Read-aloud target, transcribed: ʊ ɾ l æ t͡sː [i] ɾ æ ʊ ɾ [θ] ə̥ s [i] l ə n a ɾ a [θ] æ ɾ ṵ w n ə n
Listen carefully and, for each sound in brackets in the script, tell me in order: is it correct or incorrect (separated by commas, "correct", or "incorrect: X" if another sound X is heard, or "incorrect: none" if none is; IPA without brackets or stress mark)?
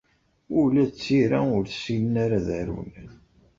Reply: correct, correct, correct, incorrect: ð